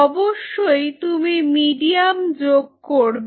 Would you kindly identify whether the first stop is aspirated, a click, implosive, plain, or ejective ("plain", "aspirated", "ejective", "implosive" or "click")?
plain